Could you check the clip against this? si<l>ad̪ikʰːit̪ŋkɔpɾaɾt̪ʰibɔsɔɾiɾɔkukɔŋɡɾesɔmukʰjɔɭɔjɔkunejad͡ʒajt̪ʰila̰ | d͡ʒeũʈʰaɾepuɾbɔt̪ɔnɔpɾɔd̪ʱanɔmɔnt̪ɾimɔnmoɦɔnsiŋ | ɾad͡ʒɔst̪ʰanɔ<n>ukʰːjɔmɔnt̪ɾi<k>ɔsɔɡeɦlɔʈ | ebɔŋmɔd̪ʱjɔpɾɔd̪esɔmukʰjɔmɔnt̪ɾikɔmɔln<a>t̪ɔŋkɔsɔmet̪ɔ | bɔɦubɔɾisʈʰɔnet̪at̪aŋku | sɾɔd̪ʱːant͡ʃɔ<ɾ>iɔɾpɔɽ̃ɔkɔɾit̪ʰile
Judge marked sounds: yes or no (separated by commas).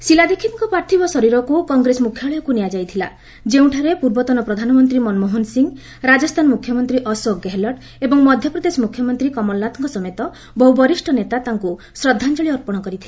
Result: yes, no, no, yes, no